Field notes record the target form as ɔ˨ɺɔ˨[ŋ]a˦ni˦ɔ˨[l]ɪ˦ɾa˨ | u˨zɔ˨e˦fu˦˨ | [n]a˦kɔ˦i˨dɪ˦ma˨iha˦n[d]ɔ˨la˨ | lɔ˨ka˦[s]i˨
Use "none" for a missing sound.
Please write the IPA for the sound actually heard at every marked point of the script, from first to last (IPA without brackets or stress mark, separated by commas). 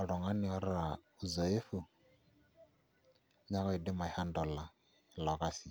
ŋ, ɾ, ɲ, d, s